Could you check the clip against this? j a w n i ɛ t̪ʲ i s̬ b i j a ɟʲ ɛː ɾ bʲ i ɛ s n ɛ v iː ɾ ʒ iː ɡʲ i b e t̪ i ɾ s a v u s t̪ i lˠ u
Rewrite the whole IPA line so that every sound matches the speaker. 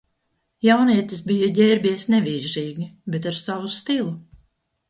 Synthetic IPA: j a w n i ɛ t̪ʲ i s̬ b i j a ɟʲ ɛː ɾ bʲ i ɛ s n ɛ v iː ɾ ʒ iː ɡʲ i b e t̪ a ɾ s a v u s t̪ i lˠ u

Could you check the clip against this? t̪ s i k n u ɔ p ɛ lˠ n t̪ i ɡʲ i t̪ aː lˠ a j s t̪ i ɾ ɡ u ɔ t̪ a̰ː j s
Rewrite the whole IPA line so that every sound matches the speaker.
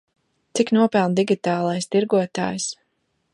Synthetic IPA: t̪ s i k n u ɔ p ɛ lˠ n d̪ i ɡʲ i t̪ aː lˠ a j s t̪ i ɾ ɡ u ɔ t̪ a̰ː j s

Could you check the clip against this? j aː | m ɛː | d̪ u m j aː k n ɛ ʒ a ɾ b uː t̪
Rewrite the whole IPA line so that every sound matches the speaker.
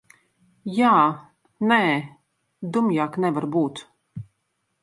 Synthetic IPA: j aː | n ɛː | d̪ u m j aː k n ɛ v a ɾ b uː t̪

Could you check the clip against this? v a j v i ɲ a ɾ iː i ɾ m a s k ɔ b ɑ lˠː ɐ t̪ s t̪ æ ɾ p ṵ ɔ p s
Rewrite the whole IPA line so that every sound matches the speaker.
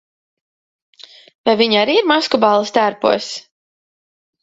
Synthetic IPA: v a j v i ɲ a ɾ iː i ɾ m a s k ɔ b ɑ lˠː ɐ s t̪ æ ɾ p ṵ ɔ s

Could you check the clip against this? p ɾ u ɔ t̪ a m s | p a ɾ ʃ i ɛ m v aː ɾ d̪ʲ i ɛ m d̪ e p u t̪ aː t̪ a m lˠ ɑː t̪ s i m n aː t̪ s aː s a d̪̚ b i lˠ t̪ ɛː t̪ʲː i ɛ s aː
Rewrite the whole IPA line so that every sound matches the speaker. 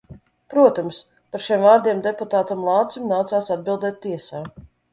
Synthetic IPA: p ɾ u ɔ t̪ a m s | p a ɾ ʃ i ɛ m v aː ɾ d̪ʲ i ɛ m d̪ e p u t̪ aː t̪ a m lˠ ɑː t̪ s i m n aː t̪ s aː s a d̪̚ b i lˠ d̪ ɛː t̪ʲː i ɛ s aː

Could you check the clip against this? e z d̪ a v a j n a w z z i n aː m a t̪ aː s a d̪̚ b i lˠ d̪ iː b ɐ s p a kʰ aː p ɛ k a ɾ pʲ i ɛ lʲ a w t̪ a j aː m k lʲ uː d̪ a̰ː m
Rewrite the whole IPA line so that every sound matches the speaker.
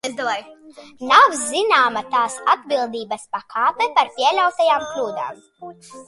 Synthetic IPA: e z d̪ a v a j n a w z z i n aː m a t̪ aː s a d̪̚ b i lˠ d̪ iː b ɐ s p a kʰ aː p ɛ p a ɾ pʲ i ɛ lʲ a w t̪ a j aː m k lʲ uː d̪ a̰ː m

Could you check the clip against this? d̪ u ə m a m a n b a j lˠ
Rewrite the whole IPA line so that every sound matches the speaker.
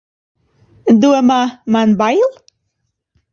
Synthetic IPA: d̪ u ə m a m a n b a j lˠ

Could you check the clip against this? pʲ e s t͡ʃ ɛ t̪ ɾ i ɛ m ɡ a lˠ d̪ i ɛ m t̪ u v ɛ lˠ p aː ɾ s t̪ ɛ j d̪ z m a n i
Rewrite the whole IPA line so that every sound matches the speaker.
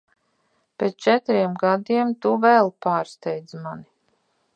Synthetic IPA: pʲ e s t͡ʃ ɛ t̪ ɾ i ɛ m ɡ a d̪ i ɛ m t̪ u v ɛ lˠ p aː ɾ s t̪ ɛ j d̪ z m a n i

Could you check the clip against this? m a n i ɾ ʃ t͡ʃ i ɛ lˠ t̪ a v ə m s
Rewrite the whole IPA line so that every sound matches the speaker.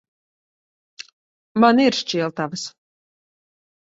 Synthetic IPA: m a n i ɾ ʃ t͡ʃ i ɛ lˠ t̪ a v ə s

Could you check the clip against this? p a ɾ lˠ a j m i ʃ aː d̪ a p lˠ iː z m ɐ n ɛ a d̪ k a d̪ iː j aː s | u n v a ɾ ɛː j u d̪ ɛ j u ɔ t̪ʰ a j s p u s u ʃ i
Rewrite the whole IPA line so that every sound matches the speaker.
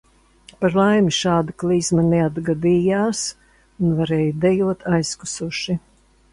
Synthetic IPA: p a ɾ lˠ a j m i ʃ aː d̪ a k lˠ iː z m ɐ n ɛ a d̪ ɡ a d̪ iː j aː s | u n v a ɾ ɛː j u d̪ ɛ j u ɔ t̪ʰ a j s k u s u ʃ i

